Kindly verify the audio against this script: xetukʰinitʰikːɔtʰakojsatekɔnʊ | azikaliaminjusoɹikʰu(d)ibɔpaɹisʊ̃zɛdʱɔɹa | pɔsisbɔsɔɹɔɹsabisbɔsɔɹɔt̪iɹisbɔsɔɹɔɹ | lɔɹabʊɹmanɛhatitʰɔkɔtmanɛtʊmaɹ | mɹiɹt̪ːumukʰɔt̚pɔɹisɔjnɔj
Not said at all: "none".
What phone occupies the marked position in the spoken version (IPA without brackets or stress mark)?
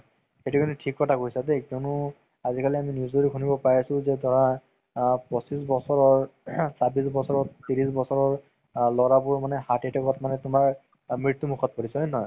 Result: n